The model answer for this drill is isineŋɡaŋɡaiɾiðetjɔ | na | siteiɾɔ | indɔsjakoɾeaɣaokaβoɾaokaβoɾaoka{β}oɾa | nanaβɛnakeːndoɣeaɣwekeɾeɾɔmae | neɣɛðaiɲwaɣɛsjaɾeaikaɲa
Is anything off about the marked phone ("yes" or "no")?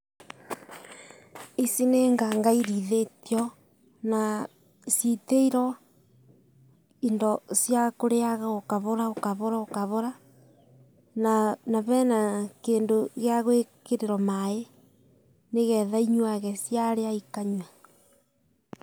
no